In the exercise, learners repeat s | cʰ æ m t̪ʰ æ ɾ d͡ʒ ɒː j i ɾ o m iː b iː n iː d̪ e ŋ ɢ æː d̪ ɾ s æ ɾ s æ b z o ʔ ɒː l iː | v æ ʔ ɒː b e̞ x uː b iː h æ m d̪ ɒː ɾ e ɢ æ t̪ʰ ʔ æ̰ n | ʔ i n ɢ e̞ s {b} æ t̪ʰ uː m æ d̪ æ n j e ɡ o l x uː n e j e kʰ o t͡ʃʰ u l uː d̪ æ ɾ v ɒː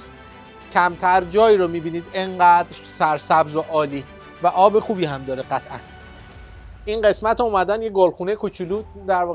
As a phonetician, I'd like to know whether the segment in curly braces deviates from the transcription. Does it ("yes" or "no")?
yes